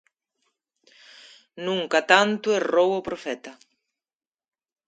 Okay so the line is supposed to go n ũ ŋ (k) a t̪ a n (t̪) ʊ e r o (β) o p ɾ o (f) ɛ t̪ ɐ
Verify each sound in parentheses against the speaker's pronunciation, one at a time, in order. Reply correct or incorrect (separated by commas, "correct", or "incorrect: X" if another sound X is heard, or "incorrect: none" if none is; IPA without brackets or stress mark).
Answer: correct, correct, incorrect: w, correct